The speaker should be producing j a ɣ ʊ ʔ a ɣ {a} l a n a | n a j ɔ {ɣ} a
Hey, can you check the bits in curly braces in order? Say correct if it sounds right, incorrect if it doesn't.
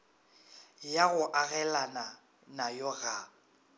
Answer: incorrect: ɛ, correct

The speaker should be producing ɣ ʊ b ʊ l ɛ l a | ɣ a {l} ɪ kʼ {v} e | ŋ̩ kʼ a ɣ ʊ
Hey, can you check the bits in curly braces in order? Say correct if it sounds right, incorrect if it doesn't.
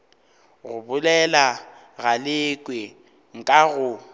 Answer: correct, incorrect: w

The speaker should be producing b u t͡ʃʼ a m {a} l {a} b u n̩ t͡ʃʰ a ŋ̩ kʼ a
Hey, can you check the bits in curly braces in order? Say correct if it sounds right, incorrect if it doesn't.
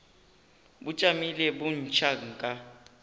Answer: incorrect: i, incorrect: ɛ

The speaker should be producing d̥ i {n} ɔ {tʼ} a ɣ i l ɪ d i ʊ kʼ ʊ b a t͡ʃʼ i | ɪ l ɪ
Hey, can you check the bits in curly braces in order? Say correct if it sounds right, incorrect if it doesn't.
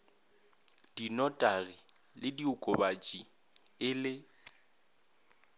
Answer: correct, correct

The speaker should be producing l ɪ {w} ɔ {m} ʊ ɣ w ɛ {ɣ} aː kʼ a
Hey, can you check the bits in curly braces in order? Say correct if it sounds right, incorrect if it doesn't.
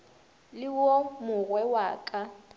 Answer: correct, correct, incorrect: w

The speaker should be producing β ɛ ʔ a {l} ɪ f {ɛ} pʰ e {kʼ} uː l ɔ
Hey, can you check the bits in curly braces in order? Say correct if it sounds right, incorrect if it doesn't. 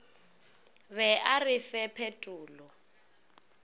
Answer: incorrect: r, correct, incorrect: tʼ

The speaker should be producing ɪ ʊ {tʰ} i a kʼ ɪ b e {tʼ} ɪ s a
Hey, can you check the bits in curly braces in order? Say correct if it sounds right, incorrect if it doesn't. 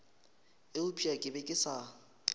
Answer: incorrect: pʰ, incorrect: kʼ

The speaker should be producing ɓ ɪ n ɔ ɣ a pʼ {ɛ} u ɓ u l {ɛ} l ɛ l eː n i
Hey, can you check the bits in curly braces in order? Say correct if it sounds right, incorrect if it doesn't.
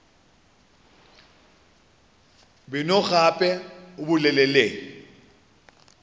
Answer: correct, correct

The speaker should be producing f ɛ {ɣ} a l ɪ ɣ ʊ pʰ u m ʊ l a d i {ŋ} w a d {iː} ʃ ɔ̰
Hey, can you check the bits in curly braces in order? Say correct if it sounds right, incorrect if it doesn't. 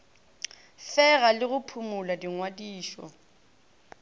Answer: correct, correct, correct

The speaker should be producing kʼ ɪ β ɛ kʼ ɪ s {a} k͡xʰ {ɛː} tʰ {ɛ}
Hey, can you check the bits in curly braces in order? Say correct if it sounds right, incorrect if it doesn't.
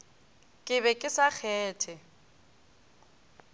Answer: correct, correct, correct

